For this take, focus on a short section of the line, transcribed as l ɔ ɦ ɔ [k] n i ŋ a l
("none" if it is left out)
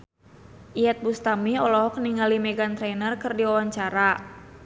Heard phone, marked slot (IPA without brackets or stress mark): k